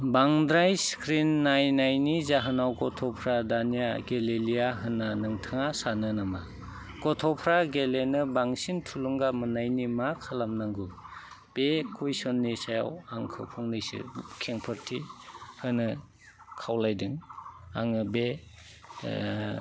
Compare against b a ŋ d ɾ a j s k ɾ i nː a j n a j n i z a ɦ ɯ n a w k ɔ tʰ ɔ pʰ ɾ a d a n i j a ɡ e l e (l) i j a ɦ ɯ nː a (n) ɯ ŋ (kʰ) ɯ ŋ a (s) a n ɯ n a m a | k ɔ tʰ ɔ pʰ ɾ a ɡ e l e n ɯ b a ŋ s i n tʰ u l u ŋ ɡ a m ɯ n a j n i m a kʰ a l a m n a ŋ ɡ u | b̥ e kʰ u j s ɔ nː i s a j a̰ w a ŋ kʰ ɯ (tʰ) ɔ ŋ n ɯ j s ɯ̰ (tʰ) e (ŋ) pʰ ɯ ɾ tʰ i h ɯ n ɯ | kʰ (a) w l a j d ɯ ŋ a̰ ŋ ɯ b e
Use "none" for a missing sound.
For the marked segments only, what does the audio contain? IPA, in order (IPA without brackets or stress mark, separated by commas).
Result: l, n, tʰ, s, pʰ, kʰ, ŋ, a